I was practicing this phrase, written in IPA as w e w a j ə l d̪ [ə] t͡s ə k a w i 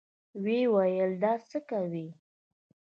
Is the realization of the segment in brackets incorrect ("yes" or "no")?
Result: yes